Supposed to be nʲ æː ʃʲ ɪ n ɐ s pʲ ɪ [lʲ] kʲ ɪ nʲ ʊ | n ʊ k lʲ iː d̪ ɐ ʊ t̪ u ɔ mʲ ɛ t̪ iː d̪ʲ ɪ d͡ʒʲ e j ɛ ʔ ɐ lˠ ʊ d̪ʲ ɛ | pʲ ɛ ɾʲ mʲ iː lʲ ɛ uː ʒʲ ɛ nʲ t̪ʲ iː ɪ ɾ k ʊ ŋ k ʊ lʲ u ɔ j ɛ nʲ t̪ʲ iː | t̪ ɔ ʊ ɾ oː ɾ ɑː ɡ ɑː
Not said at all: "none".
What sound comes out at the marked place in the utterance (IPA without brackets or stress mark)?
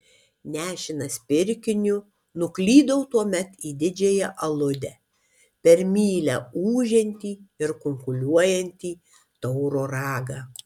ɾʲ